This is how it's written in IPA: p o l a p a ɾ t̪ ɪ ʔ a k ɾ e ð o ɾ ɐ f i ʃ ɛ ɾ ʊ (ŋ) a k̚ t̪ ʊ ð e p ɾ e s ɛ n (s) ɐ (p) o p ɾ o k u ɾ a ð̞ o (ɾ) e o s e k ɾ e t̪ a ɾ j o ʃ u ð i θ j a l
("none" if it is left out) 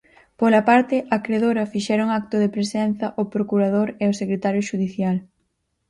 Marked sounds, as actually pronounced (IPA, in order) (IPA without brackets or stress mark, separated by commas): ŋ, θ, ʔ, ɾ